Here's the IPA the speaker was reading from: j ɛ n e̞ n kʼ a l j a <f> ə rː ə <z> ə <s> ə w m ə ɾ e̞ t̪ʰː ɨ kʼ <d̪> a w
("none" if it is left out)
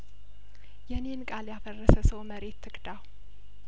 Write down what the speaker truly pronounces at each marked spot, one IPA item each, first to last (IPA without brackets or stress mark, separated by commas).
f, s, s, d̪